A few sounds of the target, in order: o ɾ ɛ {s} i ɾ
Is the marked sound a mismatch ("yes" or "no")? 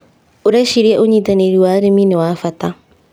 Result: yes